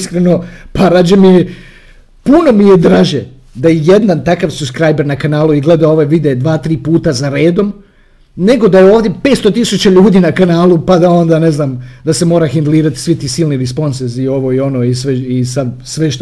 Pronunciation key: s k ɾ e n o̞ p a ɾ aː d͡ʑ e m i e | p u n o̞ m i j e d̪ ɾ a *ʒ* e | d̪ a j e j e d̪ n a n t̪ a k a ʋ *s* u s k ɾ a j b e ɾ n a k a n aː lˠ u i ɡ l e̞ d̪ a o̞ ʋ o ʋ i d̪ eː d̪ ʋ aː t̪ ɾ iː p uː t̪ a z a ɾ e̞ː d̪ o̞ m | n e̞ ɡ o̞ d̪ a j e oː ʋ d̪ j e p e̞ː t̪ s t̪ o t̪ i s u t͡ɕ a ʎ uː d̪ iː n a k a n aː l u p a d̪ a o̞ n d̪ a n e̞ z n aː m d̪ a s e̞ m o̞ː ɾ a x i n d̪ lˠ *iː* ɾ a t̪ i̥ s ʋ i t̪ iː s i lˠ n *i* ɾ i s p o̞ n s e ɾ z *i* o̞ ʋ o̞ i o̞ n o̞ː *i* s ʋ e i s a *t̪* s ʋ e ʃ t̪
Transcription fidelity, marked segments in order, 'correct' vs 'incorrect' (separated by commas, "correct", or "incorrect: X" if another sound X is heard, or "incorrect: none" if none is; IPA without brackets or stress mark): correct, correct, correct, correct, correct, correct, incorrect: d̪